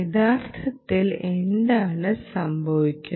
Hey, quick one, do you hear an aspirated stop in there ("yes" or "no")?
yes